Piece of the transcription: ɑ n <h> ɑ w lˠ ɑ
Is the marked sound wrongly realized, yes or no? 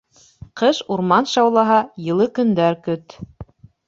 yes